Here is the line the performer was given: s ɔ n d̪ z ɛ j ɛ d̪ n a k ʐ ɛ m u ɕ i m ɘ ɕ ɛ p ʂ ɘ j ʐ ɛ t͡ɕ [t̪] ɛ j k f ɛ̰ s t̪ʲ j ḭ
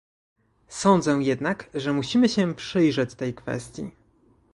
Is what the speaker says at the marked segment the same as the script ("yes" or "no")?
yes